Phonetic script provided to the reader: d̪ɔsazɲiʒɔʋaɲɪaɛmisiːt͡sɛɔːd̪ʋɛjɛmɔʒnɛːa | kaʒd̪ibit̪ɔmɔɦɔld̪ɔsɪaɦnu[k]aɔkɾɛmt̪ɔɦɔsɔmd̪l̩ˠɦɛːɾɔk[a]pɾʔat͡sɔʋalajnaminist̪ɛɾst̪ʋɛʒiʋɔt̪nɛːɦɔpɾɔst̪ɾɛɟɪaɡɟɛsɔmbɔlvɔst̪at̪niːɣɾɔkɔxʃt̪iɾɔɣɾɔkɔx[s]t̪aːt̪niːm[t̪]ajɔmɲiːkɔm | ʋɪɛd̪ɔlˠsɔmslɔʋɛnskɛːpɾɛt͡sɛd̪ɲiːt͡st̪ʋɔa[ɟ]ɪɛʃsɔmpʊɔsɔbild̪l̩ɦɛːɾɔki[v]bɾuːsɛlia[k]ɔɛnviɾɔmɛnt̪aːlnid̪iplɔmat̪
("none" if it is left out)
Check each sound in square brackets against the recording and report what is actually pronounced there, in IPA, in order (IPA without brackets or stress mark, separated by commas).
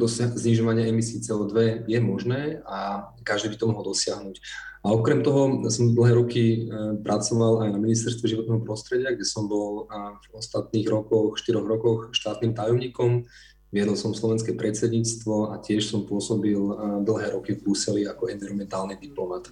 c, i, ʃ, t̪, c, v, k